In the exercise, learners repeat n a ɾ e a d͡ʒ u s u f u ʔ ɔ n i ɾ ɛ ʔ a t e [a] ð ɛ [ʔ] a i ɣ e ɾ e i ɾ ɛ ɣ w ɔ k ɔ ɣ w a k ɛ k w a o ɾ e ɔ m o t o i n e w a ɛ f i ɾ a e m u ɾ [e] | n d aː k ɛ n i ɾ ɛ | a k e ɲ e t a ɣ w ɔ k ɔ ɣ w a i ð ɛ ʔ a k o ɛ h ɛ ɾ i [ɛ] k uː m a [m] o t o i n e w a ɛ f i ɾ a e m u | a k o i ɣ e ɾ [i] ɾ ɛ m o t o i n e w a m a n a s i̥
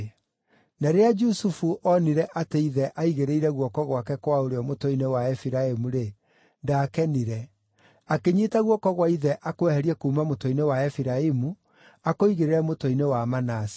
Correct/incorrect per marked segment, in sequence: incorrect: i, correct, correct, correct, correct, incorrect: e

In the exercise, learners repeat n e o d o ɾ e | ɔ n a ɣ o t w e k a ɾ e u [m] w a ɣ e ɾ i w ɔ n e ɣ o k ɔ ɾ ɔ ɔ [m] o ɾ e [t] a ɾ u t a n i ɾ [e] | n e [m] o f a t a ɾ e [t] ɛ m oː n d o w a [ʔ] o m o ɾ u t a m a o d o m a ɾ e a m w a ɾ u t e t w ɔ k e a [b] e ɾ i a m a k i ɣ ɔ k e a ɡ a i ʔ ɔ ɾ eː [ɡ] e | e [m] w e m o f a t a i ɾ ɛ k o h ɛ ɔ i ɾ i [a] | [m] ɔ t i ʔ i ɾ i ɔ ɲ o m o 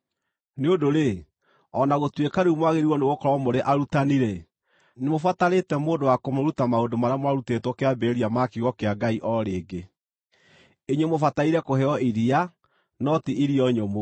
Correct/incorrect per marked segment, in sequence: correct, correct, incorrect: ʔ, incorrect: ɛ, correct, correct, incorrect: k, correct, correct, incorrect: ɲ, correct, incorrect: n

